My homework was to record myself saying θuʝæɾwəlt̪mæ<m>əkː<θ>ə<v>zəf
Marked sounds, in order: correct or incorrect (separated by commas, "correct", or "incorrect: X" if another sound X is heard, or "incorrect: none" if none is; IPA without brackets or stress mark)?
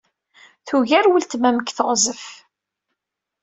correct, correct, incorrect: ʁ